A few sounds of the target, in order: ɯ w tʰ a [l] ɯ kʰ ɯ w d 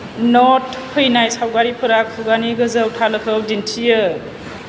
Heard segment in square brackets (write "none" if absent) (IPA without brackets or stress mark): l